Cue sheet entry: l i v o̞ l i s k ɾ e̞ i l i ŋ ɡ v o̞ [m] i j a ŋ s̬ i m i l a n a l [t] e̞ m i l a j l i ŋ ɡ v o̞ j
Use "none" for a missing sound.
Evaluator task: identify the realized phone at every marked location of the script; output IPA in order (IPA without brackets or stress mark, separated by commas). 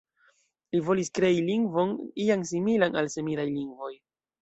n, s